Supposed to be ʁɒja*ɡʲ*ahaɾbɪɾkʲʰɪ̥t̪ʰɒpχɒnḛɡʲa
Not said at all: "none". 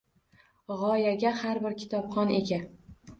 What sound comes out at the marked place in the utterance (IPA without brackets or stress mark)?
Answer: ɡʲ